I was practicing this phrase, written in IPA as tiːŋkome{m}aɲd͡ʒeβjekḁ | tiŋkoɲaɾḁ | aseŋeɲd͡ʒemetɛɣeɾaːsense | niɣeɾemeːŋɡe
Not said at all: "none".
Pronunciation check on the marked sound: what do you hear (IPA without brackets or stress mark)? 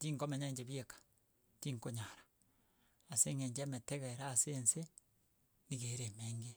ɲ